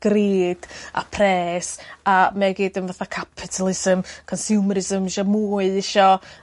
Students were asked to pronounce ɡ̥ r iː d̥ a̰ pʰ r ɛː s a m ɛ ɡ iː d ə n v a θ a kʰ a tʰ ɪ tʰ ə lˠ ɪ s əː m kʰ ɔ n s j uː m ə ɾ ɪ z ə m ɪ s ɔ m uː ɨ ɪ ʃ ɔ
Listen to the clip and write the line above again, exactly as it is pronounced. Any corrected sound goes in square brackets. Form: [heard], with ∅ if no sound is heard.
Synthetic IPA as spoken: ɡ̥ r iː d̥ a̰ pʰ r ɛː s a m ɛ ɡ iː d ə n v a θ a kʰ a [pʰ] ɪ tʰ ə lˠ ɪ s [ə] m kʰ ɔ n s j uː m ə ɾ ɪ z ə m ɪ [ʃ] ɔ m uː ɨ ɪ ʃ ɔ